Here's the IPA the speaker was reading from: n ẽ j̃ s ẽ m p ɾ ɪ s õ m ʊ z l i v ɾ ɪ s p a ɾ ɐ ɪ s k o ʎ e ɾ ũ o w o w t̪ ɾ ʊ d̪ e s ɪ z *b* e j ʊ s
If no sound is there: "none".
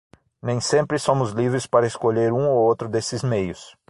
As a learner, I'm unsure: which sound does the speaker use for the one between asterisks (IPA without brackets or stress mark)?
m